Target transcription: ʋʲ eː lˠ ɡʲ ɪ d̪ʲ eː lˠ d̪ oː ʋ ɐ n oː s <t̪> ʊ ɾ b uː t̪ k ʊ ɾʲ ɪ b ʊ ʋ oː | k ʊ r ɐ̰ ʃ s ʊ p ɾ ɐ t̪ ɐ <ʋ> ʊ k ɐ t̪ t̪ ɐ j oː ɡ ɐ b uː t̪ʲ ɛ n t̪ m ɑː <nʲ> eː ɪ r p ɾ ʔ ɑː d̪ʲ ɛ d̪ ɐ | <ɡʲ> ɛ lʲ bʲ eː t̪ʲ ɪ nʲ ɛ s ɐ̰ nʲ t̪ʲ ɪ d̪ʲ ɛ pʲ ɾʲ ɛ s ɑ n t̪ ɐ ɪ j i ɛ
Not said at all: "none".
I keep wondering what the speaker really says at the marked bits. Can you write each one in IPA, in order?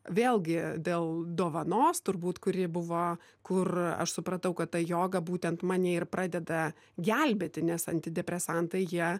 t̪, none, nʲ, ɡʲ

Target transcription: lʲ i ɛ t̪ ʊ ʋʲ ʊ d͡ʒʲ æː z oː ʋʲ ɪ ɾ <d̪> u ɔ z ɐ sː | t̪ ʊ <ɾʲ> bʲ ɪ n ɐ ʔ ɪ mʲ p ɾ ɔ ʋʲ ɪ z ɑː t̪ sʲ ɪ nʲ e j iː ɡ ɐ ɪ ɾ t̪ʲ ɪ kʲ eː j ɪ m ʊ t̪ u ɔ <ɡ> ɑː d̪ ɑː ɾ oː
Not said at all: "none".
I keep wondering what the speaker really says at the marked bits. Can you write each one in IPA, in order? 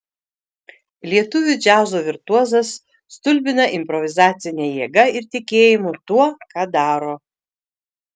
t̪, lʲ, k

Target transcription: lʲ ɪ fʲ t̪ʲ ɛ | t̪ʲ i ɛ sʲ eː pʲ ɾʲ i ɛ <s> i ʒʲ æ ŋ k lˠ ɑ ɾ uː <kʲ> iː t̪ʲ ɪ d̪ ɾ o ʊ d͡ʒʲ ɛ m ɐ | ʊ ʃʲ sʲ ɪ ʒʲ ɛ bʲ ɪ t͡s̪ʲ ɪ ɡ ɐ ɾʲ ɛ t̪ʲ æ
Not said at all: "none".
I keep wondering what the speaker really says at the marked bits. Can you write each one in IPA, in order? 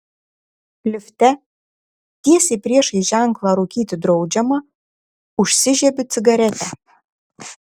ʃ, kʲ

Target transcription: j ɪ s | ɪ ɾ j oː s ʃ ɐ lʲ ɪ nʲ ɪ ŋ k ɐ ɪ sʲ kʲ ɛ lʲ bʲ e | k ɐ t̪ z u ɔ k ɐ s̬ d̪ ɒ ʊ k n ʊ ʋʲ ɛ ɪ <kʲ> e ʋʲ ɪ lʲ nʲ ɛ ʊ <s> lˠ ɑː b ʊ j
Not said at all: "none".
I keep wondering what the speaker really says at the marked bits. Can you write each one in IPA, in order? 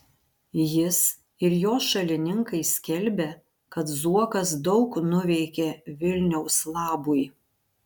kʲ, s

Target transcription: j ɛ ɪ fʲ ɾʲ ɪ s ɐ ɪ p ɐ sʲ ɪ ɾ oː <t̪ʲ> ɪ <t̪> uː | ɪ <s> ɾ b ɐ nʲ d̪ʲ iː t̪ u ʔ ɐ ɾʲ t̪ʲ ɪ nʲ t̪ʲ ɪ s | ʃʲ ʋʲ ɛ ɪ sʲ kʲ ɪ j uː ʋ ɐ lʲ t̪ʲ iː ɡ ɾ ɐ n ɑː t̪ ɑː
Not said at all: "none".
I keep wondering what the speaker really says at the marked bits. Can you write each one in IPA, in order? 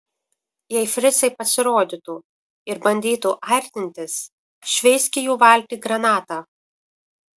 d̪ʲ, t̪, none

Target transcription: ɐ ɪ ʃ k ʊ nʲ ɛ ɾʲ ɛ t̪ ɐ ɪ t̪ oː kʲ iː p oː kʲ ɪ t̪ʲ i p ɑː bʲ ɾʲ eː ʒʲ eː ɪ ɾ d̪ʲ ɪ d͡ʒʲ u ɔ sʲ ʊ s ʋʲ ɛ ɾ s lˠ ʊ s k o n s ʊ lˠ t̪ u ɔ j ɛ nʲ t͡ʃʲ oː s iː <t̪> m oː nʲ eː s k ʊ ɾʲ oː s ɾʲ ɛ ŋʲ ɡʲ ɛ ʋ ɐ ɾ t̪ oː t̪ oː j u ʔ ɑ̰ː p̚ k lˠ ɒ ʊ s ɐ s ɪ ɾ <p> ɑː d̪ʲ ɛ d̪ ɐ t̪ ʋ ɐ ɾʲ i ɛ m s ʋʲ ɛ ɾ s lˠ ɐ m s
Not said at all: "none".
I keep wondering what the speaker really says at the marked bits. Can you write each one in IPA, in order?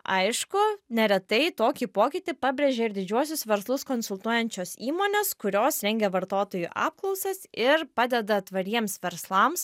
none, p

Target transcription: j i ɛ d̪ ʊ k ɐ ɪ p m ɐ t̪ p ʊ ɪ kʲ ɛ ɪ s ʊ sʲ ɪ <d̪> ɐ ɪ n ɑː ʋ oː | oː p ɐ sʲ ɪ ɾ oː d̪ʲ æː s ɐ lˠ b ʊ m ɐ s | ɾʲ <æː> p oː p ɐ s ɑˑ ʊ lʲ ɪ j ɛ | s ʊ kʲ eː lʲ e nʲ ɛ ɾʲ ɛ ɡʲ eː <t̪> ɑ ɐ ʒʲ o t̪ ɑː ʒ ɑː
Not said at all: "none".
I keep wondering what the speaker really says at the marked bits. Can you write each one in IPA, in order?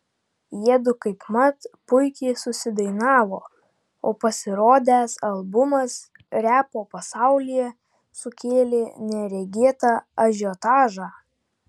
d̪, æː, t̪

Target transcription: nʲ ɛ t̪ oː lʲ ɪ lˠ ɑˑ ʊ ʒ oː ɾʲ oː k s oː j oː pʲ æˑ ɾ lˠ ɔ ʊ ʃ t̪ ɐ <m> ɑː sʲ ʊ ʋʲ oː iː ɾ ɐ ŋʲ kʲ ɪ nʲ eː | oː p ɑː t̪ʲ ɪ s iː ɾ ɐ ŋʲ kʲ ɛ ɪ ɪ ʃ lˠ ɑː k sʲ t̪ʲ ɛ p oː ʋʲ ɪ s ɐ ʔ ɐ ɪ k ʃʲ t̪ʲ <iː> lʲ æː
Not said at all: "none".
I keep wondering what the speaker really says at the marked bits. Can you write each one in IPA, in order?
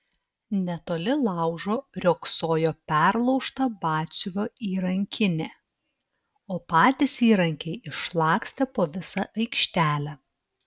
b, æː

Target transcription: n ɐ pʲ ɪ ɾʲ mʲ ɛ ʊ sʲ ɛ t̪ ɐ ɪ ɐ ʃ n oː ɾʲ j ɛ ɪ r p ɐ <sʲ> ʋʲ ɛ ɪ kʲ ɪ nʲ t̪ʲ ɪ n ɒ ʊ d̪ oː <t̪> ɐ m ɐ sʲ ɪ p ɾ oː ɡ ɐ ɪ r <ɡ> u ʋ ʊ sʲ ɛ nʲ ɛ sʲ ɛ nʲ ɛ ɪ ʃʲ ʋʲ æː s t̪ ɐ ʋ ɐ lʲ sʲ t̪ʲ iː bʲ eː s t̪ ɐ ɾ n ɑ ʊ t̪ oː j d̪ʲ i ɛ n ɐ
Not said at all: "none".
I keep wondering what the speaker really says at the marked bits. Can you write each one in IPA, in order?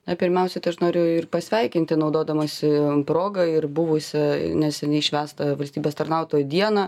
sʲ, d̪, b

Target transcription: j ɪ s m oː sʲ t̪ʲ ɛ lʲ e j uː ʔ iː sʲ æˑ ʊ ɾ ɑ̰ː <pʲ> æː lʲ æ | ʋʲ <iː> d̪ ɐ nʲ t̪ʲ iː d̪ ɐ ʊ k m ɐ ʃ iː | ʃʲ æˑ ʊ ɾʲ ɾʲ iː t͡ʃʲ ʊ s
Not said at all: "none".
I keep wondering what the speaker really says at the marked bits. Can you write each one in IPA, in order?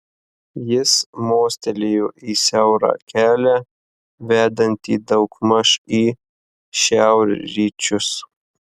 kʲ, æː

